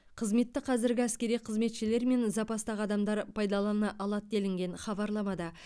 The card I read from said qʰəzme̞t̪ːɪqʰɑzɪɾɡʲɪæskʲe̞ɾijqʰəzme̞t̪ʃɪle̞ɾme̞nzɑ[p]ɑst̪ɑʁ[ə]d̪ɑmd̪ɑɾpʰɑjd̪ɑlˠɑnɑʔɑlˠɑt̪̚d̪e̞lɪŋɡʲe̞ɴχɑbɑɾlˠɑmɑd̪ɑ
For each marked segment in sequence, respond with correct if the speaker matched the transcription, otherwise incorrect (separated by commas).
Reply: correct, incorrect